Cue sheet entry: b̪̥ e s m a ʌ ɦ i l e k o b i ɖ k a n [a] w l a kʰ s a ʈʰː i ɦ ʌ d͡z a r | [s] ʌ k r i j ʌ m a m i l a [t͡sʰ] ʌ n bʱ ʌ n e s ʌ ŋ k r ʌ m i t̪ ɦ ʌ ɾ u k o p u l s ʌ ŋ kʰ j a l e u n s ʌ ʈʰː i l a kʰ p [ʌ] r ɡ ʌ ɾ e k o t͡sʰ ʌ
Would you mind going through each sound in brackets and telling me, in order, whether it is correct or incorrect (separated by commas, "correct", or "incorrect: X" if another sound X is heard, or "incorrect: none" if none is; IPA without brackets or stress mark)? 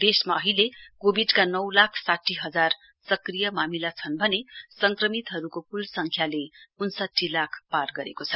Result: incorrect: ʌ, correct, correct, incorrect: a